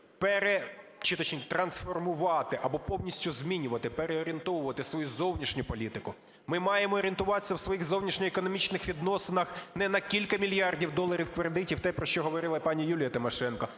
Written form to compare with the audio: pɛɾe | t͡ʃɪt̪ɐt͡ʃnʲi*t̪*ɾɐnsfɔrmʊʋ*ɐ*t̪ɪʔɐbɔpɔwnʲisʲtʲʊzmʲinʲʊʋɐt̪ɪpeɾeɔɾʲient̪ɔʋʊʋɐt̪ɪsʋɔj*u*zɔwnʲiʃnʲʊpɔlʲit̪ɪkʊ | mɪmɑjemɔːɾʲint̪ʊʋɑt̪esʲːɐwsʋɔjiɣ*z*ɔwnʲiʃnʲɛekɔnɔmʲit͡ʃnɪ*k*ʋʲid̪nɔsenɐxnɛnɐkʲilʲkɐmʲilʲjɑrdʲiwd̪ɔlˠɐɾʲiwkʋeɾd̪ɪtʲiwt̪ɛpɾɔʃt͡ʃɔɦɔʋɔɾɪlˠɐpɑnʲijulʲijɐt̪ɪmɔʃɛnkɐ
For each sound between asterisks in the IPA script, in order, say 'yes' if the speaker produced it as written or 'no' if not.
yes, no, yes, yes, no

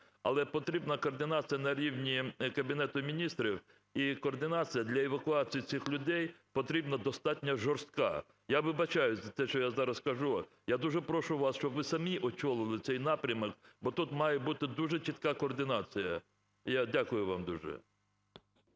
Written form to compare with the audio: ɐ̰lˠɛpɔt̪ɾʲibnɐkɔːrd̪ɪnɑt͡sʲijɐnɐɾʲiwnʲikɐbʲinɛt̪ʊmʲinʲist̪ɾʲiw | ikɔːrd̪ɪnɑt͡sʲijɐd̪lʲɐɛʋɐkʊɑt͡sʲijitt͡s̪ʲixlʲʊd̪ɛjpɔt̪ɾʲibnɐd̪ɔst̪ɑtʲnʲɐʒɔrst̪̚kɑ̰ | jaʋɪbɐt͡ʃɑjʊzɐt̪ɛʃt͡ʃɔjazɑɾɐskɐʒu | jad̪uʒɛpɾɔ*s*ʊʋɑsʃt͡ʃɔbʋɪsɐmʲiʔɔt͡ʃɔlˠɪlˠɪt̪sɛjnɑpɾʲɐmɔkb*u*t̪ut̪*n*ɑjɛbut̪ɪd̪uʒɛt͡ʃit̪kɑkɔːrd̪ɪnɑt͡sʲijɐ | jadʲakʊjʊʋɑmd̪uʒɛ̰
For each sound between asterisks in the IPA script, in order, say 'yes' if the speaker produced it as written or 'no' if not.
no, no, no

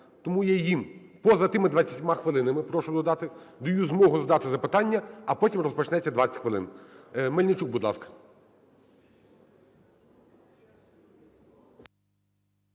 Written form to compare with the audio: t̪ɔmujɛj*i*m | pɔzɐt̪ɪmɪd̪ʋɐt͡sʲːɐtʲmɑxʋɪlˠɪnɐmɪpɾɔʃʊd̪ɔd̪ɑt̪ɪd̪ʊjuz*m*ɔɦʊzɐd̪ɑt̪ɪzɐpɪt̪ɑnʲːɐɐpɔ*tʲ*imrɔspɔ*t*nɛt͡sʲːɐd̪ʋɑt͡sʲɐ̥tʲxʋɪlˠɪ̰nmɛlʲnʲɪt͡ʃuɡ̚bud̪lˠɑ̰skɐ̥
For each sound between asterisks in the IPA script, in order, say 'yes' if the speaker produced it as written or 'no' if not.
yes, yes, yes, no

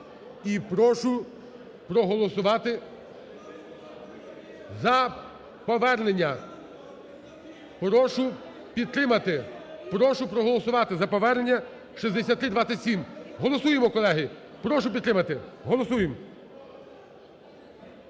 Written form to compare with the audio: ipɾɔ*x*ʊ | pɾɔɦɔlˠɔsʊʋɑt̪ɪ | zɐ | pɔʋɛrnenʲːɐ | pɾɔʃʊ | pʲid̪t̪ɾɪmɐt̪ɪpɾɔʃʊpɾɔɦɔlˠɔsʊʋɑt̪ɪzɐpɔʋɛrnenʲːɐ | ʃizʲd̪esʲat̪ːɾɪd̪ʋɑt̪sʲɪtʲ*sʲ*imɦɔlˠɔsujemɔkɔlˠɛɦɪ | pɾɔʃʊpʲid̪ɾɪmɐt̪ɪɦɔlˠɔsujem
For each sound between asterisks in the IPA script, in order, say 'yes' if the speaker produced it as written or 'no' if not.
no, yes

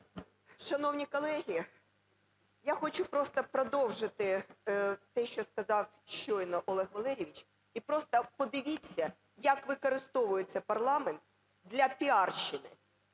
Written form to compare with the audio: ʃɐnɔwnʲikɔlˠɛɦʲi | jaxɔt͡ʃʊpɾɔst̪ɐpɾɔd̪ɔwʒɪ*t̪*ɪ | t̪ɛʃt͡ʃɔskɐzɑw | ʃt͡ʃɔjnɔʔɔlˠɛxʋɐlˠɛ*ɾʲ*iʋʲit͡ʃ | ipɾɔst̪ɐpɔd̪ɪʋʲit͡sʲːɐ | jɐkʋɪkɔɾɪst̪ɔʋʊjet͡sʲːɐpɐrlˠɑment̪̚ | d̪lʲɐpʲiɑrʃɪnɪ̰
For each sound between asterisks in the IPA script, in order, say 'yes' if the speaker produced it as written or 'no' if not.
yes, yes

